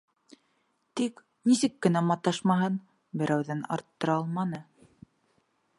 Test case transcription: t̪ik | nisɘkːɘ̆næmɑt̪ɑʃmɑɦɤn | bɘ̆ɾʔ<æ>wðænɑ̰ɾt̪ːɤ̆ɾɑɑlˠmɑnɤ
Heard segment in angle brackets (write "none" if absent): æ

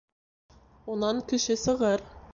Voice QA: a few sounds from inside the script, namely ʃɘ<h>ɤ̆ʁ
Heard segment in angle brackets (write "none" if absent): s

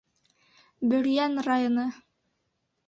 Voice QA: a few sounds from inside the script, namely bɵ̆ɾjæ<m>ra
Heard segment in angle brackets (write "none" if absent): n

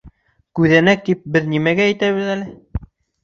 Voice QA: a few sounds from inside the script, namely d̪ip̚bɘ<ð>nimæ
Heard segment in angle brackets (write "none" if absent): ð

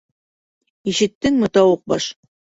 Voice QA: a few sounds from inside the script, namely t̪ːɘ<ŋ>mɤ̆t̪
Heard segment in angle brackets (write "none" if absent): ŋ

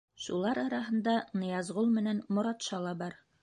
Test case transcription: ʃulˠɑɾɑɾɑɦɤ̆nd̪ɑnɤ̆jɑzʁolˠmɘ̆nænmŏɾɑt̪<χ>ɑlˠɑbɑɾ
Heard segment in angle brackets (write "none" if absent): ʃ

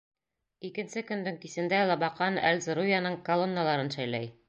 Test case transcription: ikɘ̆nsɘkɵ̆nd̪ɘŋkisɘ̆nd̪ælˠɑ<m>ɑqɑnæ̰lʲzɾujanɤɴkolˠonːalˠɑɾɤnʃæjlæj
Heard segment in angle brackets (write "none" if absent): b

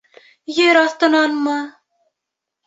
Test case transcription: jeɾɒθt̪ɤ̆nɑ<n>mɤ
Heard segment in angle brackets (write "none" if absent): n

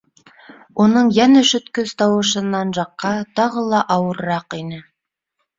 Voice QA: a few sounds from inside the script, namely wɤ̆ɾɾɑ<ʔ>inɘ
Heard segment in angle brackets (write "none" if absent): q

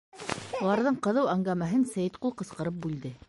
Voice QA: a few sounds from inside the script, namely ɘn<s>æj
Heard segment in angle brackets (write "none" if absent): s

